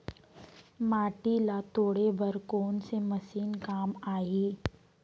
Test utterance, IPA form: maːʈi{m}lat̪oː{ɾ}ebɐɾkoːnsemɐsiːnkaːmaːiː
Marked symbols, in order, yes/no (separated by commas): no, no